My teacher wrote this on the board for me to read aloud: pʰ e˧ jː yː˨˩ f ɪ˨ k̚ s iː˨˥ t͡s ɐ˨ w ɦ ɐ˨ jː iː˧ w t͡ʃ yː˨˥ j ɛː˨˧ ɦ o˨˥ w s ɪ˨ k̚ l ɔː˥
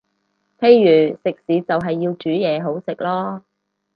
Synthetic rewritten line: pʰ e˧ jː yː˨˩ s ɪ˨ k̚ s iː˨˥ t͡s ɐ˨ w ɦ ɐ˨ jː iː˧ w t͡ʃ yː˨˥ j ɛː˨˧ ɦ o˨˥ w s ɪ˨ k̚ l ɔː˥